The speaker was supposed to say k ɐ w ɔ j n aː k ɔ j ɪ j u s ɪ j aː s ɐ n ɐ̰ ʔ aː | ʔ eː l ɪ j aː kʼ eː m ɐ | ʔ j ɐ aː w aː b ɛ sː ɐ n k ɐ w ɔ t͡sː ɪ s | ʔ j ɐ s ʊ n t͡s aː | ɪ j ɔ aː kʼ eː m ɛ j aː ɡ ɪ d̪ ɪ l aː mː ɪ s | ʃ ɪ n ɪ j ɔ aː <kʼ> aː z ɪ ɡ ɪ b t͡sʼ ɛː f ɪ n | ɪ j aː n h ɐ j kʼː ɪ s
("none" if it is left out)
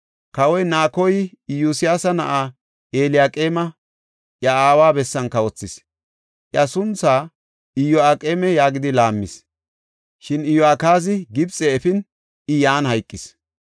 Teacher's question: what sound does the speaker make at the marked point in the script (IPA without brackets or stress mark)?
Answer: k